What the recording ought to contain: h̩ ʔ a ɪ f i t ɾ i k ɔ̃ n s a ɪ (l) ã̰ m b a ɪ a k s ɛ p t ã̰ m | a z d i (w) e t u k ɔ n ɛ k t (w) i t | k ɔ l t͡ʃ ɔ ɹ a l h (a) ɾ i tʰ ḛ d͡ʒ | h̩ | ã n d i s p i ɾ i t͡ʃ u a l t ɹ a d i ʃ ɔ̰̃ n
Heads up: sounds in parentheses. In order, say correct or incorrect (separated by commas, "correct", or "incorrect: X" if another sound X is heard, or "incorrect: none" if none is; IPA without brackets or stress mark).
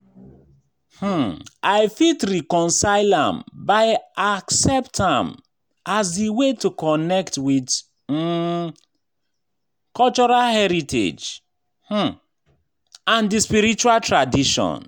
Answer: correct, correct, correct, incorrect: ɛ